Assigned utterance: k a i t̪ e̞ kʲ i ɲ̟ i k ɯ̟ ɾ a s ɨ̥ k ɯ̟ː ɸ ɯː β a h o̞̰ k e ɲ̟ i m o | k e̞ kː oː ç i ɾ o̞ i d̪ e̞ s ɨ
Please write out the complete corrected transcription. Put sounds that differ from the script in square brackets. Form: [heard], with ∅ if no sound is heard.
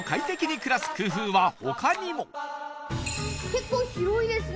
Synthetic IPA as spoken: k a i t̪ e̞ kʲ i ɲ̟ i k ɯ̟ ɾ a s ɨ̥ k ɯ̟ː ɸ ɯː β a h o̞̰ k [a] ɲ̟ i m o | k e̞ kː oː ç i ɾ o̞ i d̪ e̞ s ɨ